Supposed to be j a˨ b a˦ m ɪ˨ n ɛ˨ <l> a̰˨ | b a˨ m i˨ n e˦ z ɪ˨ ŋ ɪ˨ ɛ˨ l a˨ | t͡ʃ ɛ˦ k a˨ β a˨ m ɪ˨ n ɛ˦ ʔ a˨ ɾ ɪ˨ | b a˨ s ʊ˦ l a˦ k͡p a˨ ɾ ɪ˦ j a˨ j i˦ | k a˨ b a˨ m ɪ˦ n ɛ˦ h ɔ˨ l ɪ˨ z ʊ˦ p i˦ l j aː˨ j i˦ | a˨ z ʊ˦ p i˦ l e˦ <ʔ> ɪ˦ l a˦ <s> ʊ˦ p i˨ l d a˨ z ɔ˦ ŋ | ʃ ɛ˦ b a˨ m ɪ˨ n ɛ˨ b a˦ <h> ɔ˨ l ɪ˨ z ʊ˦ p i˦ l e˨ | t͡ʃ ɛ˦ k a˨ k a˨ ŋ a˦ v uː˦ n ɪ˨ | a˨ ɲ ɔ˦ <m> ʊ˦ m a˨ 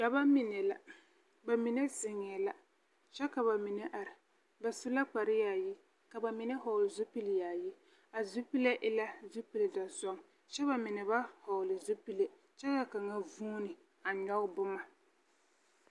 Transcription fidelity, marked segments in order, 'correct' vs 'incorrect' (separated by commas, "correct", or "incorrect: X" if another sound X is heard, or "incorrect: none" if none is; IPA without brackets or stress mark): correct, correct, incorrect: z, correct, incorrect: b